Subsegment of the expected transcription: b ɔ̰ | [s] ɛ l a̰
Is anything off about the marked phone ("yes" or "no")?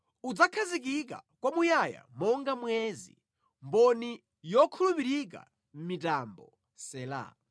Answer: no